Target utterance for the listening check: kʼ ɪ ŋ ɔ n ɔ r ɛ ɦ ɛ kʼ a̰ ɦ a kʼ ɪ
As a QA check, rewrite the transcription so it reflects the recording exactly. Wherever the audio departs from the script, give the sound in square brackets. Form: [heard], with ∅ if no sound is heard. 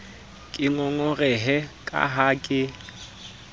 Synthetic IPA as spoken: kʼ ɪ ŋ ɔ [ŋ] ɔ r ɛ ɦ ɛ kʼ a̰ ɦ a kʼ ɪ